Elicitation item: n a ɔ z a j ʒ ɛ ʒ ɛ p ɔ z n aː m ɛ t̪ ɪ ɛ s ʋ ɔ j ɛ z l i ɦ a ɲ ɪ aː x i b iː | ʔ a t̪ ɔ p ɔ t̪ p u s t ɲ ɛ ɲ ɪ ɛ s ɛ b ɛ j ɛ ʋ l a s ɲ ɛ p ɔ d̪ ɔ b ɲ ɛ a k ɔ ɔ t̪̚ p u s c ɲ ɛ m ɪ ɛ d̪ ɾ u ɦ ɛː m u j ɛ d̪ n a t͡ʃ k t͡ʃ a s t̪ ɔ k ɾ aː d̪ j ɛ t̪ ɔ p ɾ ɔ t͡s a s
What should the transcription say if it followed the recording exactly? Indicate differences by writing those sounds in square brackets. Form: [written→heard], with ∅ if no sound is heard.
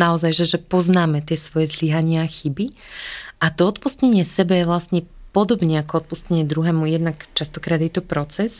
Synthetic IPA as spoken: n a ɔ z a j ʒ ɛ ʒ ɛ p ɔ z n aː m ɛ t̪ ɪ ɛ s ʋ ɔ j ɛ z l i ɦ a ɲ ɪ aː x i b [iː→i] | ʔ a t̪ ɔ [p→∅] ɔ t̪ p u s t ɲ ɛ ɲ ɪ ɛ s ɛ b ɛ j ɛ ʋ l a s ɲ ɛ p ɔ d̪ ɔ b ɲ ɛ a k ɔ ɔ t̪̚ p u s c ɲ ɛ [m→ɲ] ɪ ɛ d̪ ɾ u ɦ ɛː m u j ɛ d̪ n a [t͡ʃ→∅] k t͡ʃ a s t̪ ɔ k ɾ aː d̪ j ɛ t̪ ɔ p ɾ ɔ t͡s [a→ɛ] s